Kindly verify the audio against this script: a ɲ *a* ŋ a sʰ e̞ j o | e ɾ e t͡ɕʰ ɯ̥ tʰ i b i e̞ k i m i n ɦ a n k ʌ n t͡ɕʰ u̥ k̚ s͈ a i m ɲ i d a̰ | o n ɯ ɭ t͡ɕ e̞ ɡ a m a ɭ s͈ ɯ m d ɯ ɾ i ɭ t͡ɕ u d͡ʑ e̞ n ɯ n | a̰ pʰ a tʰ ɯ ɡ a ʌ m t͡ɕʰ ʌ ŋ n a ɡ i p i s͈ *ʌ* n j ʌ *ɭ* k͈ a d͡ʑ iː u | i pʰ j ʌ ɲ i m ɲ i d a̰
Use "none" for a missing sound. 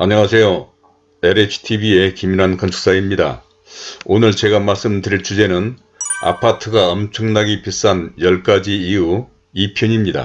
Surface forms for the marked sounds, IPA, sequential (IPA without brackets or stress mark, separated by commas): ʌ, a, ɭ